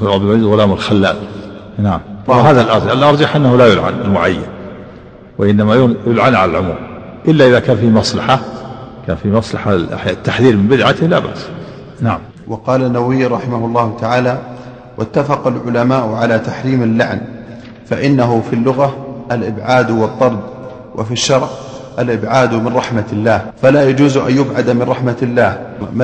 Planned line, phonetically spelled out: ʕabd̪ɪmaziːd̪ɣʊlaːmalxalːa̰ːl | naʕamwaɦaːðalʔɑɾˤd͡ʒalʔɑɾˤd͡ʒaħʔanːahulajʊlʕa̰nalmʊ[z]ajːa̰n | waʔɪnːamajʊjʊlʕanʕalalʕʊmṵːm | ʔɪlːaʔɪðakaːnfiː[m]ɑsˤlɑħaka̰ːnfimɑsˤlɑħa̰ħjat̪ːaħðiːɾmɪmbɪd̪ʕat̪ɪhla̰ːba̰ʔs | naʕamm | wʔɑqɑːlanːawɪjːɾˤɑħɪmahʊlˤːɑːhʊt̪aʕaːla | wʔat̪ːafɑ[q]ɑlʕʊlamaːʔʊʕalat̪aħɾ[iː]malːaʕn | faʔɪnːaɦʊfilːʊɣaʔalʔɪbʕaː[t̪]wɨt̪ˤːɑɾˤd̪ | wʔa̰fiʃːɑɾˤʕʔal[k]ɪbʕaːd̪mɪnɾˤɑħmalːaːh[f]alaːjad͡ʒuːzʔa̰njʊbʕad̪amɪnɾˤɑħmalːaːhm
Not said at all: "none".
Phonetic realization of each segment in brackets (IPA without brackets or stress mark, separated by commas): ʕ, m, q, iː, d̪, ʔ, f